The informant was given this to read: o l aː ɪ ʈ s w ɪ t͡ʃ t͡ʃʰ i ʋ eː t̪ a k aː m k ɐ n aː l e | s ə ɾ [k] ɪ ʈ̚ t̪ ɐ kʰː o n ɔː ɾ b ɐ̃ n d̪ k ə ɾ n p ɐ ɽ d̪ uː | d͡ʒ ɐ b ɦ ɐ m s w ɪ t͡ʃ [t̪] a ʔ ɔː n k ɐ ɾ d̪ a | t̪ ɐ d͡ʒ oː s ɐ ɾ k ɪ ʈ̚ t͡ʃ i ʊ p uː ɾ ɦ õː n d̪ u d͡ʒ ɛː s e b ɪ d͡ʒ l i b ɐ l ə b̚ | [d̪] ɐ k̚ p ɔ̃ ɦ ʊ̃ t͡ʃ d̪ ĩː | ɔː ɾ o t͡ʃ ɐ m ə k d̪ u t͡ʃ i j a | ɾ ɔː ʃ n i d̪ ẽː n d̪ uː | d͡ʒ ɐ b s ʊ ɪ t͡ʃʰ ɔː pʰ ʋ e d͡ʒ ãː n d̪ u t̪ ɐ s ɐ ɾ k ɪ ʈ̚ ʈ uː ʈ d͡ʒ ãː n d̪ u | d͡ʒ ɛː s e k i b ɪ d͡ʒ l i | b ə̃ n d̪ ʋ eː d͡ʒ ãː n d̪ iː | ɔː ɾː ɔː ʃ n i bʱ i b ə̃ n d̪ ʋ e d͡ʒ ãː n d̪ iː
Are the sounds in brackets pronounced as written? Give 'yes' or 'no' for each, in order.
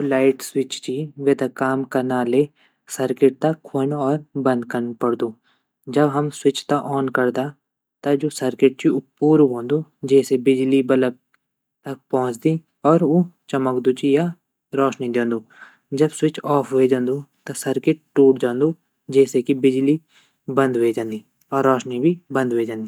yes, yes, no

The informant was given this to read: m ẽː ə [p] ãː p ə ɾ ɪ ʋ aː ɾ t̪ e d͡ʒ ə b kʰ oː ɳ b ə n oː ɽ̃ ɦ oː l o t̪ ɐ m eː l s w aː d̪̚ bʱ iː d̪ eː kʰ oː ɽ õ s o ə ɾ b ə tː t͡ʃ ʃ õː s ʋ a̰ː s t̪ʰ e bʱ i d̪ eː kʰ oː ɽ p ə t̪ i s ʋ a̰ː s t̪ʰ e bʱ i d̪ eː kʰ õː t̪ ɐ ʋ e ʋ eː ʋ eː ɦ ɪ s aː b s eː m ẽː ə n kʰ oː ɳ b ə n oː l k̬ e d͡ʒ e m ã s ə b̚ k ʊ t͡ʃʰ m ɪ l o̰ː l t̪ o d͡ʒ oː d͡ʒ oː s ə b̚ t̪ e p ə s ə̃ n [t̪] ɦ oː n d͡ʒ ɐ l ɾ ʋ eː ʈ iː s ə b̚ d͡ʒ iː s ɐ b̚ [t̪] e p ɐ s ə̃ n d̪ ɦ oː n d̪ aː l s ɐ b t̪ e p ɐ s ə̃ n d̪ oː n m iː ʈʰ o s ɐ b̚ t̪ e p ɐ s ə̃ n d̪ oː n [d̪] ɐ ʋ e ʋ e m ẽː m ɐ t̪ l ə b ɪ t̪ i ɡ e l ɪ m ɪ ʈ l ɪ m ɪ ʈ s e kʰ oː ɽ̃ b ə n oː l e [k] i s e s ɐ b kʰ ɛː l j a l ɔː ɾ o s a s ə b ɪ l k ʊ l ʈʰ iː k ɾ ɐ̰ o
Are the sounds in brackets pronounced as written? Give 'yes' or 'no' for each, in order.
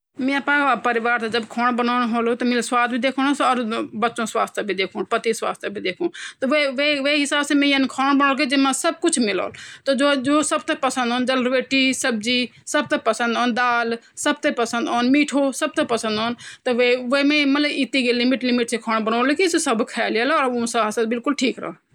yes, no, yes, no, yes

